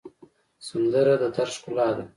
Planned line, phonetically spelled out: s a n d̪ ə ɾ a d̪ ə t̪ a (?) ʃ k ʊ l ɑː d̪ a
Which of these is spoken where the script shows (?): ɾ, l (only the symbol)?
ɾ